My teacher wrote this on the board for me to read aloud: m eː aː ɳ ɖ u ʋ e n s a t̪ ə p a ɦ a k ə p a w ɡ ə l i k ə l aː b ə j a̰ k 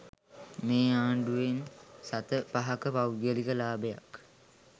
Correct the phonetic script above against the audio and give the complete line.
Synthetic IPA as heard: m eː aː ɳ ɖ u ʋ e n s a t̪ ə p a ɦ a k ə p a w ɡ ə l i k ə l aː b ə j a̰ k